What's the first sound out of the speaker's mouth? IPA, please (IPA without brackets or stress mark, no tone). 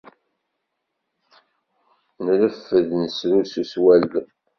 n